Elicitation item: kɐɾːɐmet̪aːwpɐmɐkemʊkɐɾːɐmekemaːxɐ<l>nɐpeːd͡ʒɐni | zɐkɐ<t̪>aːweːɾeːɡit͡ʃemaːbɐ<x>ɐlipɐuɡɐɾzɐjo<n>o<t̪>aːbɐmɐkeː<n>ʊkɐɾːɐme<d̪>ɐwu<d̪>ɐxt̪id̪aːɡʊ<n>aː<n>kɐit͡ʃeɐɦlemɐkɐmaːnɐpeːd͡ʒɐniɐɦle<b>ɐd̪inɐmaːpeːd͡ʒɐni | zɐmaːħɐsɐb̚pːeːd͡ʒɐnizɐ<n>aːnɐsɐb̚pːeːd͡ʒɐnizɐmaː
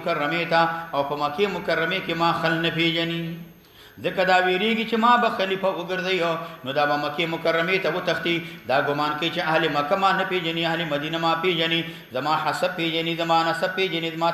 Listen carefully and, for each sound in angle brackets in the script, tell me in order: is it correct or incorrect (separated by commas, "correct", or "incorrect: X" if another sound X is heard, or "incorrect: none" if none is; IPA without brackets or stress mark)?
correct, incorrect: d̪, correct, correct, incorrect: d̪, incorrect: m, incorrect: t̪, incorrect: t̪, incorrect: m, correct, incorrect: m, incorrect: m